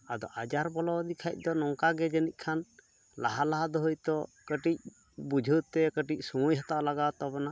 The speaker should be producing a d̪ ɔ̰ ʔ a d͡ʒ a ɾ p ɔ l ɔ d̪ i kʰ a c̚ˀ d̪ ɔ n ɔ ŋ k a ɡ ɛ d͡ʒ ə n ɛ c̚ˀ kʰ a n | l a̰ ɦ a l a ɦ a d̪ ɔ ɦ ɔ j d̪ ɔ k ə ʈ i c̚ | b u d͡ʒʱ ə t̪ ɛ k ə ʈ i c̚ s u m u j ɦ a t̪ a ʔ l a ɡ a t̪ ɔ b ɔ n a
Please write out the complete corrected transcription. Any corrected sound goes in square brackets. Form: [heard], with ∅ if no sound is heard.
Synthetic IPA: a d̪ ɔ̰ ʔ a d͡ʒ a ɾ [b] ɔ l ɔ d̪ i kʰ a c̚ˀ d̪ ɔ n ɔ ŋ k a ɡ ɛ d͡ʒ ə n [i] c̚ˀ kʰ a n | l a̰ ɦ a l a ɦ a d̪ ɔ ɦ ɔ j [t̪] ɔ k ə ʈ i c̚ | b u d͡ʒʱ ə t̪ ɛ k ə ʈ i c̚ s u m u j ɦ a t̪ a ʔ l a ɡ a t̪ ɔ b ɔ n a